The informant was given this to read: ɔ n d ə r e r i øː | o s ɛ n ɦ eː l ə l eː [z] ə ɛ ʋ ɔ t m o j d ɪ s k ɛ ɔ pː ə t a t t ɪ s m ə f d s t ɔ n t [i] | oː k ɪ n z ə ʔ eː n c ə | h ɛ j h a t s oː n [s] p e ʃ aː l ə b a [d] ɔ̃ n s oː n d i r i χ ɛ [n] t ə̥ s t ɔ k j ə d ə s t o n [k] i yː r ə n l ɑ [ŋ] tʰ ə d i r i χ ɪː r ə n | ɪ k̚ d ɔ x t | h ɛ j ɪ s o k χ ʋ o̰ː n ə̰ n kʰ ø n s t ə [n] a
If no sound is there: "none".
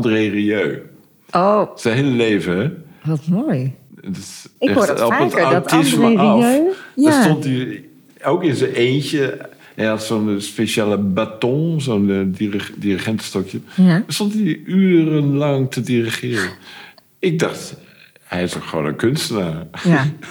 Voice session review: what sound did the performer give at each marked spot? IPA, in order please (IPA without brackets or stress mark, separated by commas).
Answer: v, i, s, t, n, t, ŋ, n